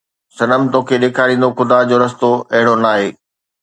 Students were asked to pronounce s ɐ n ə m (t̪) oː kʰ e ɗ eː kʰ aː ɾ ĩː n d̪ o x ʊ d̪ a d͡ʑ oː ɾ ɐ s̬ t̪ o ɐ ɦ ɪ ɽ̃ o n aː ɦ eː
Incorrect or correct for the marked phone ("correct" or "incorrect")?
correct